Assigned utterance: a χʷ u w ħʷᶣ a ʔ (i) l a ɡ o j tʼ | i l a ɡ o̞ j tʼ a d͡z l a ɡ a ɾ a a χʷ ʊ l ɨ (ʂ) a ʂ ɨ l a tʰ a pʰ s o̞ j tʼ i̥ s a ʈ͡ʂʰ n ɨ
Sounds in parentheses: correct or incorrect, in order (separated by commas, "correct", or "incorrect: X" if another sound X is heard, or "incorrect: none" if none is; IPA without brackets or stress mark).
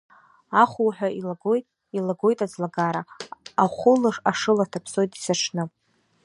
correct, correct